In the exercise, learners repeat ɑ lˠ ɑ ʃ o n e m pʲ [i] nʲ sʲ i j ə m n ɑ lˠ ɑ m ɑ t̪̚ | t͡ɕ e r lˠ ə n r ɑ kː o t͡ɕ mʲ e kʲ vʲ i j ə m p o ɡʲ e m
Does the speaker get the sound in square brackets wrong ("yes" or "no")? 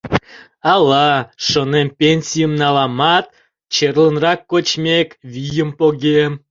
yes